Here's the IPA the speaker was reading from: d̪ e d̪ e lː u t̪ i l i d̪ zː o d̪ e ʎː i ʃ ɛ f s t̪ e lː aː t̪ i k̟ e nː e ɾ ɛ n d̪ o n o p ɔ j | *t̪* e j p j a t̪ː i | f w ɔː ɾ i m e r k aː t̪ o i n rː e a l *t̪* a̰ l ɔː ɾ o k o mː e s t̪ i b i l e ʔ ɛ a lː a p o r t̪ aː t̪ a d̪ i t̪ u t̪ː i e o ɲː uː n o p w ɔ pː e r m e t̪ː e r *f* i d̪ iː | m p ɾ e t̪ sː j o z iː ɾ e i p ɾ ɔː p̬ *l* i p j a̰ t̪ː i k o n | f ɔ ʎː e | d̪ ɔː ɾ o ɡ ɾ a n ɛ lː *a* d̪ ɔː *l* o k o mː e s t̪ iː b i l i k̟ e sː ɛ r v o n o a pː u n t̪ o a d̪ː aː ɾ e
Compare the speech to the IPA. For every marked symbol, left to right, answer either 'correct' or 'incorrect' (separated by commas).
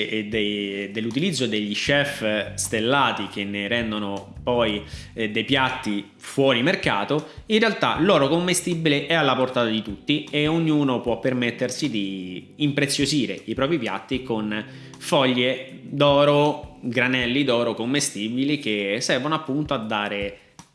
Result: incorrect, correct, incorrect, incorrect, incorrect, incorrect